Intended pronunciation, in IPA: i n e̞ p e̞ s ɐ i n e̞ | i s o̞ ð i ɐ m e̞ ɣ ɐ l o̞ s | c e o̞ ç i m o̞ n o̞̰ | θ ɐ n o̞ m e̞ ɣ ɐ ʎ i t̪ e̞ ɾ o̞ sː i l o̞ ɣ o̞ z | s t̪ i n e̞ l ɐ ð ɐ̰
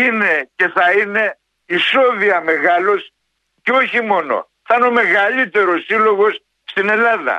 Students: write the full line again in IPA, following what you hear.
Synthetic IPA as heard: i n e̞ c e̞ θ ɐ i n e̞ | i s o̞ ð i ɐ m e̞ ɣ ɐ l o̞ s | c e o̞ ç i m o̞ n o̞̰ | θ ɐ n o̞ m e̞ ɣ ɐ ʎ i t̪ e̞ ɾ o̞ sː i l o̞ ɣ o̞ s | s t̪ i n e̞ l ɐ ð ɐ̰